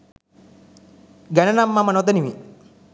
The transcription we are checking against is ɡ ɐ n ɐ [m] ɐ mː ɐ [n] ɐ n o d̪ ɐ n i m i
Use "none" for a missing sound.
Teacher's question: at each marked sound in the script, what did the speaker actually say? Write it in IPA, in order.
n, m

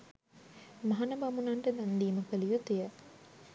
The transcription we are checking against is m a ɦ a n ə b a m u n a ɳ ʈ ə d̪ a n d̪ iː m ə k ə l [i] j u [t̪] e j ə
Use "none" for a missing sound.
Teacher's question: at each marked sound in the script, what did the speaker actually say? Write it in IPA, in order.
i, t̪

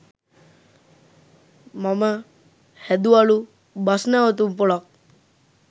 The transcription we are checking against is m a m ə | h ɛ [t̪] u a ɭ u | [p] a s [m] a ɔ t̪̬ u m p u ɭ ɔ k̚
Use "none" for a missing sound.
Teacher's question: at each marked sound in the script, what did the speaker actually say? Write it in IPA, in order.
d̪, b, n

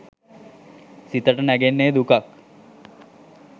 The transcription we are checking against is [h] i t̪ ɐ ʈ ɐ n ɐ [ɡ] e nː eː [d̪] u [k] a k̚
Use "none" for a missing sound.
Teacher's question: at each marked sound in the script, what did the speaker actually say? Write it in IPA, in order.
s, ɡ, d̪, k

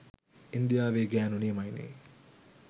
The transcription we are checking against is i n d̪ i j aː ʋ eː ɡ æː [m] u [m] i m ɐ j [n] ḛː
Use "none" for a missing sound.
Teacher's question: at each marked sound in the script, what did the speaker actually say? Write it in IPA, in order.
n, n, n

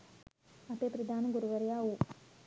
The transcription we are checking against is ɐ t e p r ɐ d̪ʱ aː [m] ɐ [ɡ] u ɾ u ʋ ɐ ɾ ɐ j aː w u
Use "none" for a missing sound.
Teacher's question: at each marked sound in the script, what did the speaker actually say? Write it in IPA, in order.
n, ɡ

